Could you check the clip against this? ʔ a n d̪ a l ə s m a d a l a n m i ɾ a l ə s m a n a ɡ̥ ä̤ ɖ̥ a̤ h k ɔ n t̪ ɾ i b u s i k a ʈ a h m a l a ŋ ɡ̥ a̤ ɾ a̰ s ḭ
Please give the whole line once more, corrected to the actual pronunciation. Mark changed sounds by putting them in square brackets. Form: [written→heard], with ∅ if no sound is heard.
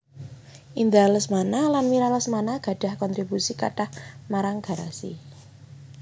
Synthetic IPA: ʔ [a→i] n d̪ a l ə s m a [d→n] a l a n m i ɾ a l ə s m a n a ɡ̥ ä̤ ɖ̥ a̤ h k ɔ n t̪ ɾ i b u s i k a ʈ a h m a [l→ɾ] a ŋ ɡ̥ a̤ ɾ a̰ s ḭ